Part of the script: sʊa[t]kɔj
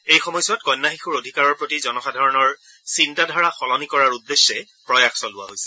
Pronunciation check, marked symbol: correct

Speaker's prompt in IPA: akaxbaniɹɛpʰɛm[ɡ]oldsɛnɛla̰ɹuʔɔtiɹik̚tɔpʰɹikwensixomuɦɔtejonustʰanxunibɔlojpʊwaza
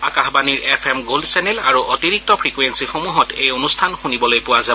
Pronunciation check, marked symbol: correct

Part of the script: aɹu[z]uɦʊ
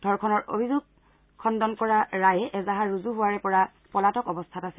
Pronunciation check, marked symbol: correct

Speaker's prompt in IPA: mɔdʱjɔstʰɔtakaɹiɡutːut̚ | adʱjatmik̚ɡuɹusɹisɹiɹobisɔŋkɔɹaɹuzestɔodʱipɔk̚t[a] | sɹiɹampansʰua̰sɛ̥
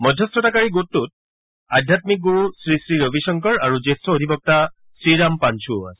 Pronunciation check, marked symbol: correct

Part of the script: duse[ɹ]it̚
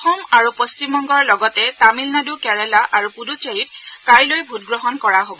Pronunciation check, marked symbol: correct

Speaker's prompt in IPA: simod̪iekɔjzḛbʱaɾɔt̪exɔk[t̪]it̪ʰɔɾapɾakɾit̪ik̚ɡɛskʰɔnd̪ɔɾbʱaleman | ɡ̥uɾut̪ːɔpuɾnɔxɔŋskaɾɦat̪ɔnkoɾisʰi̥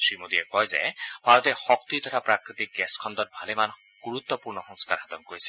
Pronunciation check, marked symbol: correct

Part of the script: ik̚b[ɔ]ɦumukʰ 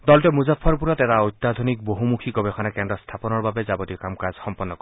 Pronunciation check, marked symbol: incorrect: o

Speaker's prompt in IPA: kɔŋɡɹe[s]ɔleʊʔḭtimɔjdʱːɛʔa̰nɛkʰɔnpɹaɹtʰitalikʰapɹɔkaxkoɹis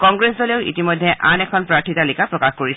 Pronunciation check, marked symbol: correct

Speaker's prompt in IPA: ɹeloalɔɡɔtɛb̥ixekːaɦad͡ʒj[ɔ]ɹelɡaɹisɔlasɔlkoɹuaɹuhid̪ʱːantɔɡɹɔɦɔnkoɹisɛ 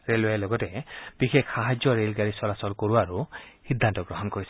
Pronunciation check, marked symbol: correct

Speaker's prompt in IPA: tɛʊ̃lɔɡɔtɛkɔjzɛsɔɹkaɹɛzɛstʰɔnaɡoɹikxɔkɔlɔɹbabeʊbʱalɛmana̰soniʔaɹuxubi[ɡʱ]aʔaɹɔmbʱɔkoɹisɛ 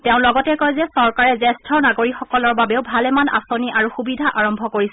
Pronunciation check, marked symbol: incorrect: dʱ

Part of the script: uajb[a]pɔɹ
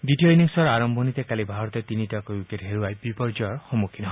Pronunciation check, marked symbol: incorrect: i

